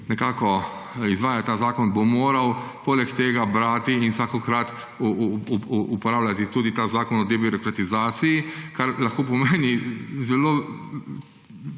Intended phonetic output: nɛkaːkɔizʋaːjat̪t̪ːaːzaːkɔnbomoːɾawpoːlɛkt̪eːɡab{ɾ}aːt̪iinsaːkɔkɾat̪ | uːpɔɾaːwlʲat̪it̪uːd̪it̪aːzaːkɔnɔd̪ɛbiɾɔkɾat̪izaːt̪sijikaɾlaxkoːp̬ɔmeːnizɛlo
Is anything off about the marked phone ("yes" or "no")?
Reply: no